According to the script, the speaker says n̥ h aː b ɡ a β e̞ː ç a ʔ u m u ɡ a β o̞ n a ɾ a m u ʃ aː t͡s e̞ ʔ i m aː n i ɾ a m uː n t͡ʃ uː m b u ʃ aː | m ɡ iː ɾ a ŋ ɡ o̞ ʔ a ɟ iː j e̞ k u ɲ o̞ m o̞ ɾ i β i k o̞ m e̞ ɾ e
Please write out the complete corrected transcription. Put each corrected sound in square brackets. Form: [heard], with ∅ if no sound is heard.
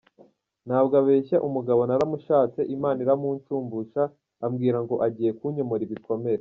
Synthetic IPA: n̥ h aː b ɡ a β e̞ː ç a ʔ u m u ɡ a β o̞ n a ɾ a m u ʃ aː t͡s e̞ ʔ i m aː n i ɾ a m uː n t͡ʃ uː m b u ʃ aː | m ɡ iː ɾ a ŋ ɡ o̞ ʔ a ɟ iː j e̞ k u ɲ o̞ m o̞ ɾ i β i k o̞ m e̞ ɾ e